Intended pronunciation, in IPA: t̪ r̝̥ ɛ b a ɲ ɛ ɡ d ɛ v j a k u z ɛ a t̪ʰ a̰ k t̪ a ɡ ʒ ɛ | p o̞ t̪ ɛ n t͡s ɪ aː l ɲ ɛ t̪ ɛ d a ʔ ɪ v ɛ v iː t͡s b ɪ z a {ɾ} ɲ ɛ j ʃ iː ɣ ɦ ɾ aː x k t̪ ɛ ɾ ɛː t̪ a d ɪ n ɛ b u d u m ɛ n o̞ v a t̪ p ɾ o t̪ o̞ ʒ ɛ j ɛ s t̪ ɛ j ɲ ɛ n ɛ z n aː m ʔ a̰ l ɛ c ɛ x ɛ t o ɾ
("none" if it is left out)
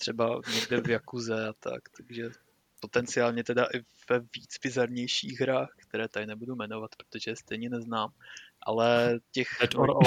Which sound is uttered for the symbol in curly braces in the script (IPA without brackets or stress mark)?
ɾ